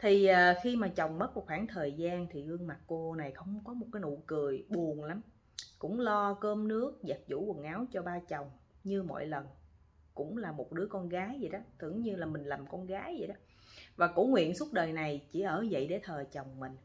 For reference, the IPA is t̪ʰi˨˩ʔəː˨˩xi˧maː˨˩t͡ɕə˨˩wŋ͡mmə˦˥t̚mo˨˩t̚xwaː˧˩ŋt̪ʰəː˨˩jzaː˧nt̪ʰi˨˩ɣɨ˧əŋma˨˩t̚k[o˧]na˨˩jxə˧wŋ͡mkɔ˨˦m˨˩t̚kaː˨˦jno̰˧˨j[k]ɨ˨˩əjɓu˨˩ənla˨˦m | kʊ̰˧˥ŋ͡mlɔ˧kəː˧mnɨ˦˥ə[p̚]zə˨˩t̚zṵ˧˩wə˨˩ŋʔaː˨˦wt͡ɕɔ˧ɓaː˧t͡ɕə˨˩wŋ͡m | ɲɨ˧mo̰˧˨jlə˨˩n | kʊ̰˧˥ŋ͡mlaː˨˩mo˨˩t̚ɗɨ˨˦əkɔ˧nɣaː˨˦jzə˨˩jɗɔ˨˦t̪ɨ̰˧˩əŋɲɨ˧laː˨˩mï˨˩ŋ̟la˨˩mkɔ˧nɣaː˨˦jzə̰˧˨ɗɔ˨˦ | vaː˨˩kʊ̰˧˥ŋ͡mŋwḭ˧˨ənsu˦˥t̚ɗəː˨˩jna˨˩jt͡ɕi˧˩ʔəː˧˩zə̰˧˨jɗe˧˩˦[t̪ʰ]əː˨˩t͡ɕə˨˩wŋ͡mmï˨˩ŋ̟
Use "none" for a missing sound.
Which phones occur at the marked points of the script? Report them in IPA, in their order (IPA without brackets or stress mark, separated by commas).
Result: o˧, k, k̚, t̪ʰ